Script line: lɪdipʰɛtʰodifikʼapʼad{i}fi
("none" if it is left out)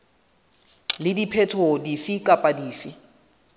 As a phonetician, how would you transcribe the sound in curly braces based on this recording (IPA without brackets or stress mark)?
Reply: iː